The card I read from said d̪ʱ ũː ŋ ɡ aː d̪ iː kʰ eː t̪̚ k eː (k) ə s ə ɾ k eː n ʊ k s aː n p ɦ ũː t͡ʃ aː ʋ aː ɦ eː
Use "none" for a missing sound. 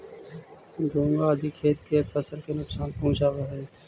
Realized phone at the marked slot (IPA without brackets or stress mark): p